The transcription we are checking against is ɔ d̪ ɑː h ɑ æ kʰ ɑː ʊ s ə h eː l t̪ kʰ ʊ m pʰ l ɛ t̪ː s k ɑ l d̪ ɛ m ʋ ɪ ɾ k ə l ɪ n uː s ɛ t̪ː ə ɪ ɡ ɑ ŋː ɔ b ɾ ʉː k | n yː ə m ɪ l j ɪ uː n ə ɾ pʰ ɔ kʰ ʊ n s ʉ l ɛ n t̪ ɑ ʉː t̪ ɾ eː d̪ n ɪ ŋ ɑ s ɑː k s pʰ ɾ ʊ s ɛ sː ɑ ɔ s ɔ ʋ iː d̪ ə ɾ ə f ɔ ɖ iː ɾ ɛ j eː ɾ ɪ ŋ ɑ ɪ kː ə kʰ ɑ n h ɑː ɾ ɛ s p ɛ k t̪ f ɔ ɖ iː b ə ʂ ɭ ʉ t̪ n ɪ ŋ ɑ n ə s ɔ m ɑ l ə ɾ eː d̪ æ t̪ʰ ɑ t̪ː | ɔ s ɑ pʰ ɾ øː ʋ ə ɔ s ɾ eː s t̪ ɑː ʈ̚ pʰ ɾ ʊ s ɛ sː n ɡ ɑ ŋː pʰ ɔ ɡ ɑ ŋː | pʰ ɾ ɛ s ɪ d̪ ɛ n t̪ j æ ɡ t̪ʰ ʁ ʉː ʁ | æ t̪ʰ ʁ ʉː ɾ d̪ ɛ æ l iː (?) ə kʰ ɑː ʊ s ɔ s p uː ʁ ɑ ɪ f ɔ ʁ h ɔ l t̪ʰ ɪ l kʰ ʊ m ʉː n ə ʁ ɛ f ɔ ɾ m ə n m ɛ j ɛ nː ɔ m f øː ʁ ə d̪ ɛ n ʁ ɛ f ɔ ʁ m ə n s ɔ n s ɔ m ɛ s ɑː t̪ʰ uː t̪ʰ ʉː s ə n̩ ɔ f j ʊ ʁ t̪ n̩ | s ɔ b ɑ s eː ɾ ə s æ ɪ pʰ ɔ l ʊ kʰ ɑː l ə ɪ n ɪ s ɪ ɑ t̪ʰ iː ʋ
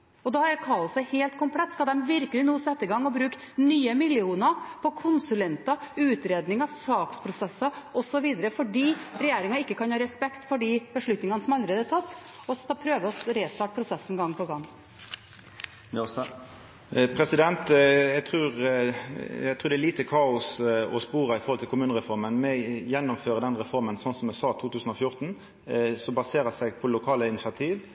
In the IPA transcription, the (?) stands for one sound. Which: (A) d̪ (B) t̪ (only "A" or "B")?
B